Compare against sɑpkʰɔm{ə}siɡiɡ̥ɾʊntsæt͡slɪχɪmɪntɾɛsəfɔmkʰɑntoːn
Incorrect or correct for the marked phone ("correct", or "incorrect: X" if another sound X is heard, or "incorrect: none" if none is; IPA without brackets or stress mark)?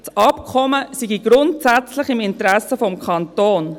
correct